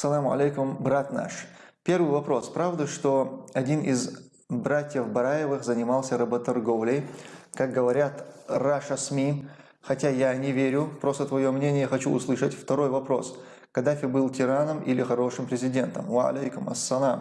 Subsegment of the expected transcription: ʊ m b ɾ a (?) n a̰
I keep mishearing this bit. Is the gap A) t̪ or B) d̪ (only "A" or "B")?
A